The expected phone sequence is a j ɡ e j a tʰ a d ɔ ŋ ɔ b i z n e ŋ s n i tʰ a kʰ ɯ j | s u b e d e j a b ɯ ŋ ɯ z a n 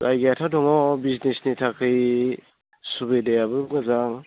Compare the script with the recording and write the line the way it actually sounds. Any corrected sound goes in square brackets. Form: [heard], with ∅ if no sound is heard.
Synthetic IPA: a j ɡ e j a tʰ a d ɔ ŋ ɔ b i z n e [∅] s n i tʰ a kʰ ɯ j | s u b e d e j a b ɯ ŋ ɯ z a [ŋ]